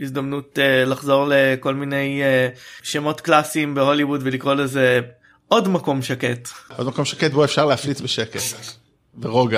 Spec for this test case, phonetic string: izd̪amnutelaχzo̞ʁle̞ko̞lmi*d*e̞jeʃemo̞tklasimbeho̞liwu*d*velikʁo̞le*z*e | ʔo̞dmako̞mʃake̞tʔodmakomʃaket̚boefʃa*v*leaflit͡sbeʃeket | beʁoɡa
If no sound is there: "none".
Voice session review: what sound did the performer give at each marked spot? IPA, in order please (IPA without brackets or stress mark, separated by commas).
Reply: n, d, z, ʁ